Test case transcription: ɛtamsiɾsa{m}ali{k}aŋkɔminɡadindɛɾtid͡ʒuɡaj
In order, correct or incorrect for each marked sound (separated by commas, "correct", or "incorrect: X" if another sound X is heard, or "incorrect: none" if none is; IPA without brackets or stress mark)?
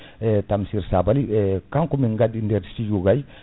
incorrect: b, correct